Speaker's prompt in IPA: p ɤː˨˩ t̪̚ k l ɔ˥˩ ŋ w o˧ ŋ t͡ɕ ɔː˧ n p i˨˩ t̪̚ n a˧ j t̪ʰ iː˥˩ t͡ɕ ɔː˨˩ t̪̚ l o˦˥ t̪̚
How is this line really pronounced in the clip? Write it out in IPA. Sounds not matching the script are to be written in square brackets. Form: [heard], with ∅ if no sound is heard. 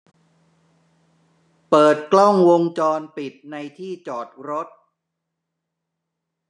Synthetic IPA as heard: p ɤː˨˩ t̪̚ k l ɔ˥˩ ŋ w o˧ ŋ t͡ɕ ɔː˧ n p i˨˩ t̪̚ n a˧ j t̪ʰ iː˥˩ t͡ɕ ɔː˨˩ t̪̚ [ɾ] o˦˥ t̪̚